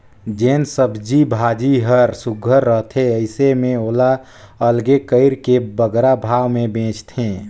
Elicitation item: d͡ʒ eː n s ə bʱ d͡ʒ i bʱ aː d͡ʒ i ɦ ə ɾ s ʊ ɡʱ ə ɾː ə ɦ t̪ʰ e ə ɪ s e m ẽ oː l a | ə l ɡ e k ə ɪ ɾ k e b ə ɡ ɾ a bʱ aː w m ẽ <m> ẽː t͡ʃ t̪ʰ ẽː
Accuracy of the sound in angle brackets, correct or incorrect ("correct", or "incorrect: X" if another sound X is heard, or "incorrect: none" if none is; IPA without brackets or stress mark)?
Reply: incorrect: b